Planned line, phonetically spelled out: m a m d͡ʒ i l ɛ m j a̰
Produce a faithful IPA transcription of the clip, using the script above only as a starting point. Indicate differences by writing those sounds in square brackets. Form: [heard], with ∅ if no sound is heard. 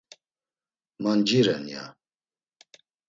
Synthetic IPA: m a [n] d͡ʒ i [ɾ] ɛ [n] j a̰

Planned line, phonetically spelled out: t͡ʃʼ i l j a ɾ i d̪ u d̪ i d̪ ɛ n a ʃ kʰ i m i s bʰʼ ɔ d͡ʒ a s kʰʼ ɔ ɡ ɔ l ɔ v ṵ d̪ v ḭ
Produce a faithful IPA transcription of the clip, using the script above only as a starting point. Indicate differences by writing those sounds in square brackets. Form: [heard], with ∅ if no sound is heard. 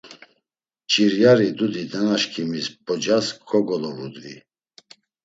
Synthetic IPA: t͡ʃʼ i [ɾ] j a ɾ i d̪ u d̪ i d̪ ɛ n a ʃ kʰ i m i s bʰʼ ɔ d͡ʒ a s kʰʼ ɔ ɡ ɔ l ɔ v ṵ d̪ v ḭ

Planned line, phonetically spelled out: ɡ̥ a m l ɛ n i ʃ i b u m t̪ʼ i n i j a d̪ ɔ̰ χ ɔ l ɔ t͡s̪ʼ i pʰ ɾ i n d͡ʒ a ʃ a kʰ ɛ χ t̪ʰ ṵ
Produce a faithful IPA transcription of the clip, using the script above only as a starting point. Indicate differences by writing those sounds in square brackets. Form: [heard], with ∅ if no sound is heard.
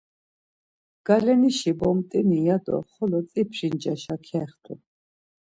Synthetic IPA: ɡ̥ a [∅] l ɛ n i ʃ i b [ɔ] m t̪ʼ i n i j a d̪ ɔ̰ χ ɔ l ɔ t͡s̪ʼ i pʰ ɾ i n d͡ʒ a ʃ a kʰ ɛ χ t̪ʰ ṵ

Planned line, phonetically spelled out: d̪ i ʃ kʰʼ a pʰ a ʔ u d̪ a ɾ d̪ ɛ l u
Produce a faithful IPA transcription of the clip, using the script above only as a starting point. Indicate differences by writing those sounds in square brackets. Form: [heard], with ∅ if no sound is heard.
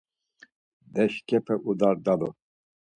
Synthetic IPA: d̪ [ɛ] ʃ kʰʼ [ɛ] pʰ [ɛ] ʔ u d̪ a ɾ d̪ [a] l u

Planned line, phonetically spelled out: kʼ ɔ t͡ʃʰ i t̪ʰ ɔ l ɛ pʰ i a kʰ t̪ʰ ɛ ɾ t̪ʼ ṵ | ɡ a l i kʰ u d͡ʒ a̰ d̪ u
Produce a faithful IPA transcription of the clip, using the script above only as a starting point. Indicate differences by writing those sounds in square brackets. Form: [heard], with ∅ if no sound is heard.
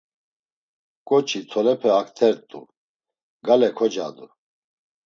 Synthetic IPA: kʼ ɔ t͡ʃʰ i t̪ʰ ɔ l ɛ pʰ [ɛ] a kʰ t̪ʰ ɛ ɾ t̪ʼ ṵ | ɡ a l [ɛ] kʰ [ɔ] d͡ʒ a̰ d̪ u

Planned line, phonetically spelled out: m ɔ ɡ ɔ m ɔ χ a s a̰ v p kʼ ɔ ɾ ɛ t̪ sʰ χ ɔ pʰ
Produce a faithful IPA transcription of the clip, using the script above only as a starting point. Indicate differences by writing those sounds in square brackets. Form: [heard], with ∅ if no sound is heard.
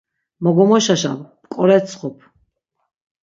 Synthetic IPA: m ɔ ɡ ɔ m ɔ [ʃ] a [ʃ] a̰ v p kʼ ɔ ɾ ɛ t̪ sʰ χ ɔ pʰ

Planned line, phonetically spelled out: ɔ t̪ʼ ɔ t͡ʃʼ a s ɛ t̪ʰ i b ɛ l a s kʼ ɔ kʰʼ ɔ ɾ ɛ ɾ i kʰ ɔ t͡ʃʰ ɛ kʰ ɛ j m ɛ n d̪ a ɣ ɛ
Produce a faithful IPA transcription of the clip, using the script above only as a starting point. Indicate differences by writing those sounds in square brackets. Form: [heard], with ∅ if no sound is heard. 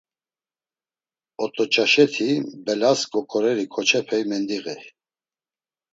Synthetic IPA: ɔ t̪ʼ ɔ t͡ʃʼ a [ʃ] ɛ t̪ʰ i b ɛ l a s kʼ ɔ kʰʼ ɔ ɾ ɛ ɾ i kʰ ɔ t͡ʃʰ ɛ [pʰ] ɛ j m ɛ n d̪ [i] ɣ ɛ

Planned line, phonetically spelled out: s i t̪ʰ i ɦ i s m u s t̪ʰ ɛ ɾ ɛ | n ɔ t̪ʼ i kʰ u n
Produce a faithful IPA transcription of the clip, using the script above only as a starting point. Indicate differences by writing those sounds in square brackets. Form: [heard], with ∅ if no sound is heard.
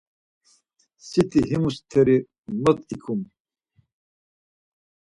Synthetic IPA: s i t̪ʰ i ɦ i [∅] m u s t̪ʰ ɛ ɾ [i] | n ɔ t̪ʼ i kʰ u [m]

